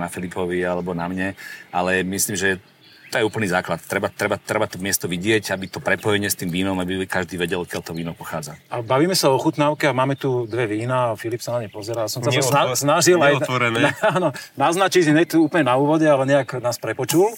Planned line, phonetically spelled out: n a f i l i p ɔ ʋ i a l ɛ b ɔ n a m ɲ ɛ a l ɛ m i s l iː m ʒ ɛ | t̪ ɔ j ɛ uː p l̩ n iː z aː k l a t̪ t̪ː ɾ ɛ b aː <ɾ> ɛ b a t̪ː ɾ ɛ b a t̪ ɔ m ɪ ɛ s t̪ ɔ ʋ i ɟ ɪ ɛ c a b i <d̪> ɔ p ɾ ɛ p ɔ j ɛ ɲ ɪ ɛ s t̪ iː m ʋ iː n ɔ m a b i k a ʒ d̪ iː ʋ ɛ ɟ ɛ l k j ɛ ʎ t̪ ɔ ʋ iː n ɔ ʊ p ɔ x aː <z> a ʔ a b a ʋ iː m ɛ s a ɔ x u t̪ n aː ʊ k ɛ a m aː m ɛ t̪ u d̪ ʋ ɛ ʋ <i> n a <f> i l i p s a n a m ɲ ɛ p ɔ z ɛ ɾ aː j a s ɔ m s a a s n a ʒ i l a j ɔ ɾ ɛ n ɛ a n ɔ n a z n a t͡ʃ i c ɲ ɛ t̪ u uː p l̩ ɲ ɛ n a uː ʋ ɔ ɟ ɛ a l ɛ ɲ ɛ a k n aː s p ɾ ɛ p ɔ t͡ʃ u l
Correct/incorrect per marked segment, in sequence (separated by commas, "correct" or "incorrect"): correct, incorrect, incorrect, incorrect, correct